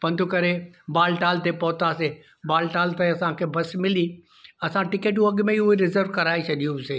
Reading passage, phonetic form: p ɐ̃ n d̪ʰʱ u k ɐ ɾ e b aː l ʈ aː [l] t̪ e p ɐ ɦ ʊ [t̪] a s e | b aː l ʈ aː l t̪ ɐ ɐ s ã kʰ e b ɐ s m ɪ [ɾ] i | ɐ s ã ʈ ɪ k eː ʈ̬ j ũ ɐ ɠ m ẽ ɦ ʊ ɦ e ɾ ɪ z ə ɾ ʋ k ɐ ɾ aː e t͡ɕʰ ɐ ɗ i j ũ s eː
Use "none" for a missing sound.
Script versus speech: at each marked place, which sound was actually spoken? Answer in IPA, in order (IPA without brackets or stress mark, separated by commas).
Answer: l, t̪, l